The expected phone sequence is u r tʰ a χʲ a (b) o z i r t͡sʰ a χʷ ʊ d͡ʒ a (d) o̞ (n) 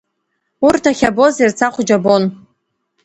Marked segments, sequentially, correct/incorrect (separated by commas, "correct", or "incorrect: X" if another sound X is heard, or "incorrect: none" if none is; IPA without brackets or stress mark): correct, incorrect: b, correct